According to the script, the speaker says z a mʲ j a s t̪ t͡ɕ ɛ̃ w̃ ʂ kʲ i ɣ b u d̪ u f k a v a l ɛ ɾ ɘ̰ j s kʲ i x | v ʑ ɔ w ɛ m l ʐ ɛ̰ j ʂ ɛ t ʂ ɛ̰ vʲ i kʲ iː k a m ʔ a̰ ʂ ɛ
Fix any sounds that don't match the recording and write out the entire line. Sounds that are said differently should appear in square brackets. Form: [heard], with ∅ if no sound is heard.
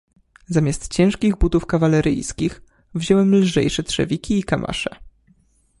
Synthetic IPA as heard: z a mʲ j a s t̪ t͡ɕ ɛ̃ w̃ ʂ kʲ i ɣ b u [t̪] u f k a v a l ɛ ɾ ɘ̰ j s kʲ i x | v ʑ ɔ w ɛ m l ʐ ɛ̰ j ʂ ɛ t ʂ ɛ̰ vʲ i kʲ iː k a m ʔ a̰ ʂ ɛ